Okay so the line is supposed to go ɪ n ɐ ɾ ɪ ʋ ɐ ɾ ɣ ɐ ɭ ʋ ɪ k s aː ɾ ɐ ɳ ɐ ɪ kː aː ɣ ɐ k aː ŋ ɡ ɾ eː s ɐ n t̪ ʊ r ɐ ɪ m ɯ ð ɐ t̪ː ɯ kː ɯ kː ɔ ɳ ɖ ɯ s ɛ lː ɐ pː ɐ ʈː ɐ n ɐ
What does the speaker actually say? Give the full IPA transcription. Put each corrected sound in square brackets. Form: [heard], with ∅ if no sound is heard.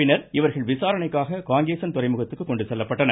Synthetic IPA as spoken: ɪ n ɐ ɾ ɪ ʋ ɐ ɾ ɣ ɐ ɭ ʋ ɪ [∅] s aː ɾ ɐ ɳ ɐ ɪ kː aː ɣ ɐ k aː ŋ ɡ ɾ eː s ɐ n t̪ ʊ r ɐ ɪ m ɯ [ɣ] ɐ t̪ː ɯ kː ɯ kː ɔ ɳ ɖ ɯ s ɛ lː ɐ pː ɐ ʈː ɐ n ɐ